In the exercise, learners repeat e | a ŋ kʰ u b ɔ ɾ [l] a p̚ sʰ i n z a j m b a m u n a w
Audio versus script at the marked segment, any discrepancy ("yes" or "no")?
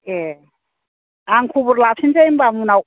no